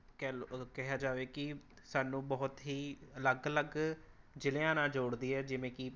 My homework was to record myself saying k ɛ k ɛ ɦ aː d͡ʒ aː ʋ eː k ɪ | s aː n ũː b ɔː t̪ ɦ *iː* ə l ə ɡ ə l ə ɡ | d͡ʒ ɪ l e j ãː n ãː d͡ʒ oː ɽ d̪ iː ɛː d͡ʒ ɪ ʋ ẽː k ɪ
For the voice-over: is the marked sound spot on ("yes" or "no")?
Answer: yes